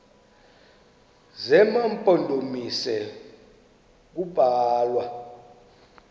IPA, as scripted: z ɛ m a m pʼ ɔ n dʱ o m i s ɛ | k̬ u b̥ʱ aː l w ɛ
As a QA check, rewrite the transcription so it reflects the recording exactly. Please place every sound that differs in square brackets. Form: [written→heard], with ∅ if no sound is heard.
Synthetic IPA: z ɛ m a m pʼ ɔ n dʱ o m i s ɛ | k̬ u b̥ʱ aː l w [ɛ→a]